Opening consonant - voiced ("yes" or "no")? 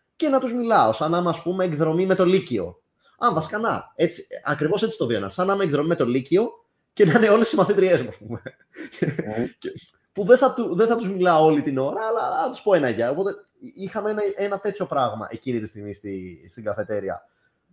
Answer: no